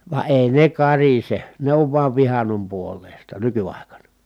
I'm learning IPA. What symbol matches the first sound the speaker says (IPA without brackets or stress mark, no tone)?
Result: ʋ